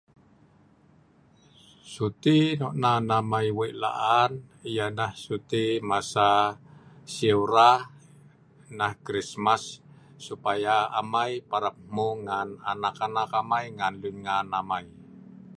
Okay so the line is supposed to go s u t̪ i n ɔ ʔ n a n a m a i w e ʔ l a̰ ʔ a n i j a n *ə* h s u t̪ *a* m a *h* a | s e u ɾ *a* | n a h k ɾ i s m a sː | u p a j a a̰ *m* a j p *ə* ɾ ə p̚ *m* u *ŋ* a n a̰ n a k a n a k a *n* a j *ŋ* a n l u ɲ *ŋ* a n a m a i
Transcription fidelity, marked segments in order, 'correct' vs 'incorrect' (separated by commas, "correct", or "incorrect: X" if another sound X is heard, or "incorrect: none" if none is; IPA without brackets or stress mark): incorrect: a, incorrect: i, incorrect: s, correct, correct, incorrect: a, correct, correct, incorrect: m, correct, correct